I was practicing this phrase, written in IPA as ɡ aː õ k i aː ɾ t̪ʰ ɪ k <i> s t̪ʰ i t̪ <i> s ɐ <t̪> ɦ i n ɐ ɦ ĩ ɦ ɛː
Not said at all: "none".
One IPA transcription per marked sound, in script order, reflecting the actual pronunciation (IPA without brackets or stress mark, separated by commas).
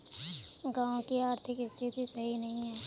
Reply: ɪ, i, none